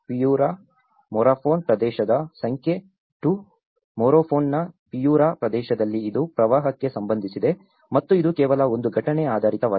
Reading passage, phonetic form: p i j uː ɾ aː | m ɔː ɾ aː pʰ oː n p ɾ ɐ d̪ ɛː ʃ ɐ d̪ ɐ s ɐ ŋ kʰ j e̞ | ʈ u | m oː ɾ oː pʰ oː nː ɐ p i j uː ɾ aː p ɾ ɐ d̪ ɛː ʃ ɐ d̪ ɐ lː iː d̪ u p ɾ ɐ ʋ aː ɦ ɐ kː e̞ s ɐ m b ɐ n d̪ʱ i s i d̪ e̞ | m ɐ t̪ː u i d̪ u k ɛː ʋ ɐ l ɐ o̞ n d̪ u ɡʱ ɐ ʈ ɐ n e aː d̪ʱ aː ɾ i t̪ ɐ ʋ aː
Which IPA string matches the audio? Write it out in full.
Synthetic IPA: p i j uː ɾ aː | m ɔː ɾ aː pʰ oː n p ɾ ɐ d̪ ɛː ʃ ɐ d̪ ɐ s ɐ ŋ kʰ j e̞ | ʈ u | m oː ɾ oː pʰ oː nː ɐ p i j uː ɾ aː p ɾ ɐ d̪ ɛː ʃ ɐ d̪ ɐ lː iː d̪ u p ɾ ɐ ʋ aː ɦ ɐ kː e̞ s ɐ m b ɐ n d̪ʱ i s i d̪ e̞ | m ɐ t̪ː u i d̪ u k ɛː ʋ ɐ l ɐ o̞ n d̪ u ɡʱ ɐ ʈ ɐ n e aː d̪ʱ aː ɾ i t̪ ɐ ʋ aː